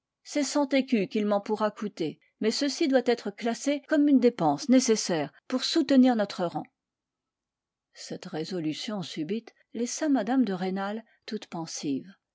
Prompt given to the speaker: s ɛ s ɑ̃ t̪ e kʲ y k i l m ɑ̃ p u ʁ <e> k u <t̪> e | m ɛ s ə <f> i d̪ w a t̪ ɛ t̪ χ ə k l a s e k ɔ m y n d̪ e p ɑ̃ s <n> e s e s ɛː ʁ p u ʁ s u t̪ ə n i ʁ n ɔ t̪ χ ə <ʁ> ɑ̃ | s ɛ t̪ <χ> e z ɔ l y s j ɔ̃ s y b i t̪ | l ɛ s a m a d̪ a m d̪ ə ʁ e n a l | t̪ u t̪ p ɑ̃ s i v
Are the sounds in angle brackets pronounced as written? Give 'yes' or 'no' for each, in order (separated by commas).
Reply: no, yes, no, yes, yes, no